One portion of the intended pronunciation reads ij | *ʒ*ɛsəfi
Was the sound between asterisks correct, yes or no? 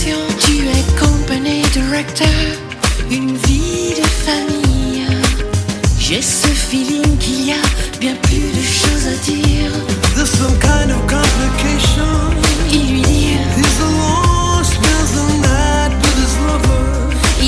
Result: yes